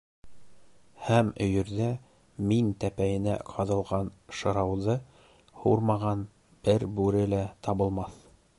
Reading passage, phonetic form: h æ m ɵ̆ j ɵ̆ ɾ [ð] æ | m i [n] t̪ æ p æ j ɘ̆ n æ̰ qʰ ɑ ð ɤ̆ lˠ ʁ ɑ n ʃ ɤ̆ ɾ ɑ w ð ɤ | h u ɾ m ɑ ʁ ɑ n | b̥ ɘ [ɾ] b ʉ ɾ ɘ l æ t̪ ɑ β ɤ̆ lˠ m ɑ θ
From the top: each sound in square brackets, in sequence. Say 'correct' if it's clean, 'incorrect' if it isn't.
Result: correct, correct, correct

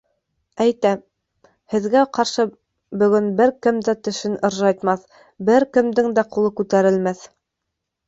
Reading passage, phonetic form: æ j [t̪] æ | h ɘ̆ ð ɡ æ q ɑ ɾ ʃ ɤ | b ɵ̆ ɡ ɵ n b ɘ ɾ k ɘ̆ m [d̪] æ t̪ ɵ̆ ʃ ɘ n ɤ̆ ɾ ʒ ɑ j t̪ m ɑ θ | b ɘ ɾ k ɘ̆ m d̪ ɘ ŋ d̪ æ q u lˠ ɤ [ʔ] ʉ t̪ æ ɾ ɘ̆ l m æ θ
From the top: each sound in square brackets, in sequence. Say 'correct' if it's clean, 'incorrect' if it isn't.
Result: correct, correct, incorrect

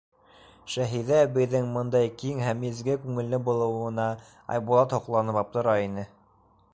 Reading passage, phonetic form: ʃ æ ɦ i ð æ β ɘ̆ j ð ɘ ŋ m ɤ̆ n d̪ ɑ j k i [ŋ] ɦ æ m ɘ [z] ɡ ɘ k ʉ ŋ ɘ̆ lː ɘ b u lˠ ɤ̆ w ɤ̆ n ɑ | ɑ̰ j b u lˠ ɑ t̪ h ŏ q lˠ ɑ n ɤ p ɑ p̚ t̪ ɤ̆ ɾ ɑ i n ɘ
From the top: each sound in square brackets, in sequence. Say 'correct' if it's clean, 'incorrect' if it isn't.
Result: correct, correct

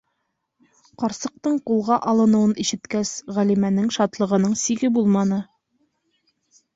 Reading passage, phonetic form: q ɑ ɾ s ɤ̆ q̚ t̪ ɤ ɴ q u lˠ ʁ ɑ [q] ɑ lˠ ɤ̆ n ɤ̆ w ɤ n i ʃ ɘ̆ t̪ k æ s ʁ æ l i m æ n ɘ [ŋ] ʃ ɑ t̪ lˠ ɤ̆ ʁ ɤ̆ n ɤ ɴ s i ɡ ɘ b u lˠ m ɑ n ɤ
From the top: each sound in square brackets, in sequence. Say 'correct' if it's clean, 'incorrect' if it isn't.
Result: incorrect, correct

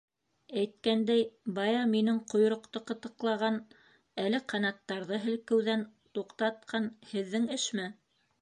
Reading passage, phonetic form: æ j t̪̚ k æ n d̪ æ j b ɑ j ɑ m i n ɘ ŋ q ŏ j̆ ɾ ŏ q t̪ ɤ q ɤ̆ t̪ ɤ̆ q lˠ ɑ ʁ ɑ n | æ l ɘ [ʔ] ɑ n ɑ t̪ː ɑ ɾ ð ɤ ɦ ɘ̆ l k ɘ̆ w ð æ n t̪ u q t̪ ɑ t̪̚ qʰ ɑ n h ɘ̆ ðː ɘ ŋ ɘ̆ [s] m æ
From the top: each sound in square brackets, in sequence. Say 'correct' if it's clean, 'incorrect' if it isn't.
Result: incorrect, incorrect

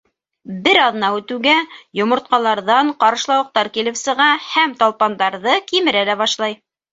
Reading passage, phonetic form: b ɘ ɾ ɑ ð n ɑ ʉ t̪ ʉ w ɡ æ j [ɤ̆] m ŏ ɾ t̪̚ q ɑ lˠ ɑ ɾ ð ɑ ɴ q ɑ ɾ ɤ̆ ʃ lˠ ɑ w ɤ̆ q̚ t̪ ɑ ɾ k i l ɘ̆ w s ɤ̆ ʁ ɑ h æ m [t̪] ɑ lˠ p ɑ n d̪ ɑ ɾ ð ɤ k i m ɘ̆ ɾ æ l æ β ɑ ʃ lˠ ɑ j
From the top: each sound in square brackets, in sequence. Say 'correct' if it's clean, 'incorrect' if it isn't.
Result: incorrect, correct

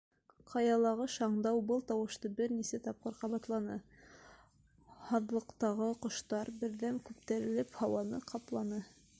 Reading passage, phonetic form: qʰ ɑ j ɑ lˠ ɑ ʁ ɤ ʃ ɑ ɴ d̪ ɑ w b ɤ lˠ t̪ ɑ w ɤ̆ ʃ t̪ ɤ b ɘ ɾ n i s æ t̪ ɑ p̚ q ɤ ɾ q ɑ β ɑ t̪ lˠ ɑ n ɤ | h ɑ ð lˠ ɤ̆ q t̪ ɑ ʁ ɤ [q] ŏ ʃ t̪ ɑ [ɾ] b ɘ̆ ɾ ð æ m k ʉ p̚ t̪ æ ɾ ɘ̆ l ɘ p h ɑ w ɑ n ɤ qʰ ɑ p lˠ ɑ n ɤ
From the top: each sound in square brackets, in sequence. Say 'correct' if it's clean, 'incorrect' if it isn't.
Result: correct, correct

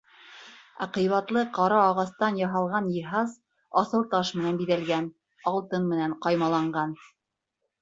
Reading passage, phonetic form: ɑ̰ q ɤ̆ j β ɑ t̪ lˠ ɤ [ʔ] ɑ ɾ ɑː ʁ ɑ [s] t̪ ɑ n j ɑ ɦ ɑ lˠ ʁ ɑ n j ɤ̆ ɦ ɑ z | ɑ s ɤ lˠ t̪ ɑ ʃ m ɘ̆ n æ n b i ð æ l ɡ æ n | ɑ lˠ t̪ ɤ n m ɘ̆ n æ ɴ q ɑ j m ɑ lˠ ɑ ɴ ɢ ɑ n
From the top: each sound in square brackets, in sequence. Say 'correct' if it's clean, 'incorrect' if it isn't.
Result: incorrect, correct

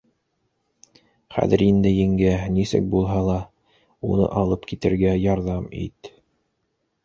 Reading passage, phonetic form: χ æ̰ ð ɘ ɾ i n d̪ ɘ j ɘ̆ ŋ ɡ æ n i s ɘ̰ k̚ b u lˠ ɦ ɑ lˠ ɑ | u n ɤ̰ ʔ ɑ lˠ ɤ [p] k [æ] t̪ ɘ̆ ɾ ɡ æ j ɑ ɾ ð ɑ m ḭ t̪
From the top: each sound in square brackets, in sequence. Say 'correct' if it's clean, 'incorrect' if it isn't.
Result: correct, incorrect

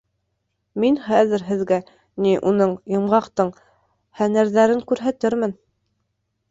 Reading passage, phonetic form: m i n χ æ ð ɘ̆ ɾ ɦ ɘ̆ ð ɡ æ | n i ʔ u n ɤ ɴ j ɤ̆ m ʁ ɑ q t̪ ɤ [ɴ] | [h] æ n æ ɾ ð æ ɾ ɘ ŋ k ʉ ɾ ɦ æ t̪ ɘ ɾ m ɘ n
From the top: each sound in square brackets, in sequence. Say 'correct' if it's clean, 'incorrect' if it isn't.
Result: correct, correct

